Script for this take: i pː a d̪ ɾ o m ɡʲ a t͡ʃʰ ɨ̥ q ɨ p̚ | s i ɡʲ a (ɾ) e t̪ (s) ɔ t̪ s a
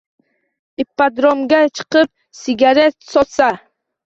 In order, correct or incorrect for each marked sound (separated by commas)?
correct, correct